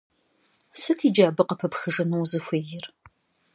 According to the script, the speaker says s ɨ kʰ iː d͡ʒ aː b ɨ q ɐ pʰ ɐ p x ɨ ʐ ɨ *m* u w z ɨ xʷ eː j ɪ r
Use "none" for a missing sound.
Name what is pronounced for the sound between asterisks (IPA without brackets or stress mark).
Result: n